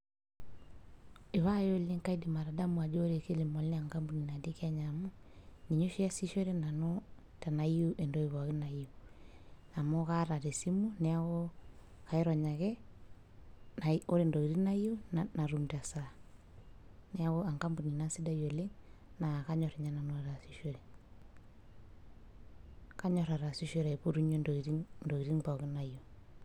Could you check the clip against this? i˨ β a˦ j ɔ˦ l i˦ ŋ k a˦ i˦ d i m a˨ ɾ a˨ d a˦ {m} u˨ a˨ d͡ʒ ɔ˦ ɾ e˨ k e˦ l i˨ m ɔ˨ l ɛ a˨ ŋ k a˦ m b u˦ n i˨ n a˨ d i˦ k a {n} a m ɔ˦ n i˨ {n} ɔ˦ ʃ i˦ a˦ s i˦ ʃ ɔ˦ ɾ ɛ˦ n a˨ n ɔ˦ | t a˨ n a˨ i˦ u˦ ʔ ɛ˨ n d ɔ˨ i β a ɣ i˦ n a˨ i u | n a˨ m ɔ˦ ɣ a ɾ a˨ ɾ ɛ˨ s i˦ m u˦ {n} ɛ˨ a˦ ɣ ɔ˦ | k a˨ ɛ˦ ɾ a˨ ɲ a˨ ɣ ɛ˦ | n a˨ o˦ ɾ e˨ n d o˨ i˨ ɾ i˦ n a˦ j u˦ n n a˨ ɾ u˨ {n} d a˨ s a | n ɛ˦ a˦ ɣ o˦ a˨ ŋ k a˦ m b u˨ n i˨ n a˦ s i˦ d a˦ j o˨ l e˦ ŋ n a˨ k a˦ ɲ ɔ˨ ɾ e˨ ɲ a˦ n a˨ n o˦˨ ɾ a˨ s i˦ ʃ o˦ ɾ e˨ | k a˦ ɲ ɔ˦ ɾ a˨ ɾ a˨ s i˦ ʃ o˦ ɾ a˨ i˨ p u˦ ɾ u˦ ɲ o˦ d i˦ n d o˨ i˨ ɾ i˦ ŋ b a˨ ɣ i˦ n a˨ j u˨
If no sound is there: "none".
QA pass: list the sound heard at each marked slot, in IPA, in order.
m, ɲ, ɲ, n, m

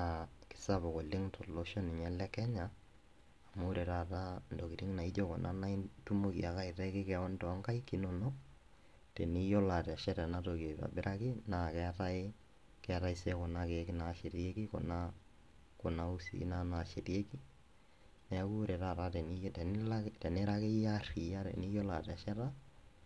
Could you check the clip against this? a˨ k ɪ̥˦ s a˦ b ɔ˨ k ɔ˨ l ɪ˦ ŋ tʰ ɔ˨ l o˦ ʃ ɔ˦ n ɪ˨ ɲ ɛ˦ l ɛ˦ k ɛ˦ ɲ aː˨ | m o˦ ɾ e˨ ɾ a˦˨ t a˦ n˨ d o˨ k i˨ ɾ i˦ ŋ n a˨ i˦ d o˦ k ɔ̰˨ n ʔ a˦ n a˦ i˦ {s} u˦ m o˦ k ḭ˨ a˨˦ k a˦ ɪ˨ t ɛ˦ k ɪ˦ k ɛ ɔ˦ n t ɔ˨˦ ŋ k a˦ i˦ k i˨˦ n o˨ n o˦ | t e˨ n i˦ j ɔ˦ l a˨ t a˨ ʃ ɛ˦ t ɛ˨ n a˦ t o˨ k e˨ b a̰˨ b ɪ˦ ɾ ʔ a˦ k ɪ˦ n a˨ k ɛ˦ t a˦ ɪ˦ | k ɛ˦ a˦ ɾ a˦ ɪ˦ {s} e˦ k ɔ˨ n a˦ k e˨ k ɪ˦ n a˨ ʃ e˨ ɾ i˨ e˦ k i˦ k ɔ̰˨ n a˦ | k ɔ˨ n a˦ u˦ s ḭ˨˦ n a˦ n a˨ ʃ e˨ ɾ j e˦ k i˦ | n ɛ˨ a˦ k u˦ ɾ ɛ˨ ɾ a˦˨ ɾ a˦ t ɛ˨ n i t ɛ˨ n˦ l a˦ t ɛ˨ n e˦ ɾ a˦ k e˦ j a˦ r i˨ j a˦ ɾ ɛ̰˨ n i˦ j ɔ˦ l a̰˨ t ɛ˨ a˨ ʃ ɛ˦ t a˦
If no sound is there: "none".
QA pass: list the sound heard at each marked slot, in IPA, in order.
t, s

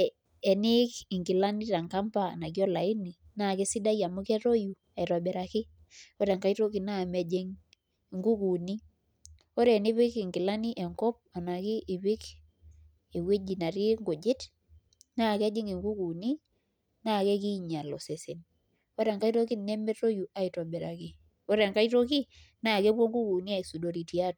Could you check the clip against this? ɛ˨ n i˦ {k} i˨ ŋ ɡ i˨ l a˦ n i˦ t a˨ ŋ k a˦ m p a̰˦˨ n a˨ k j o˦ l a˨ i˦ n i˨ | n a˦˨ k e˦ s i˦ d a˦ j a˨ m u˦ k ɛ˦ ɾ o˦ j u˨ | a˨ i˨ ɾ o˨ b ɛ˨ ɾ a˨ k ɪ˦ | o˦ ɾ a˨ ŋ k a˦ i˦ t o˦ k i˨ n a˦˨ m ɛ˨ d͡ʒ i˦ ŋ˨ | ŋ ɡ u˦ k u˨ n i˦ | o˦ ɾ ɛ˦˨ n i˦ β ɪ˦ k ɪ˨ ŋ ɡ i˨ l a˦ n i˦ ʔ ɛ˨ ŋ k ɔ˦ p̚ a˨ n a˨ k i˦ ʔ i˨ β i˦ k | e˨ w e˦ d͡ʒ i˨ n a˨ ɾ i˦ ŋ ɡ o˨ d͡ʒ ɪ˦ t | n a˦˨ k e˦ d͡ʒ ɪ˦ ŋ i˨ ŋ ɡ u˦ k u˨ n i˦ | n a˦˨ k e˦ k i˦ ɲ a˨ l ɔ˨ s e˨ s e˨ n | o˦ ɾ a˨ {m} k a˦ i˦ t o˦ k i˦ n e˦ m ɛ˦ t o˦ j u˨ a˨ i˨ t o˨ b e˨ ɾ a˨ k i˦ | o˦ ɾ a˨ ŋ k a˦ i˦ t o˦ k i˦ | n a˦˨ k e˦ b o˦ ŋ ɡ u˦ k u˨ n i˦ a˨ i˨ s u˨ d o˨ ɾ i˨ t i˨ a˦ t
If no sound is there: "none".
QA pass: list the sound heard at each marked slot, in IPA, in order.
k, ŋ

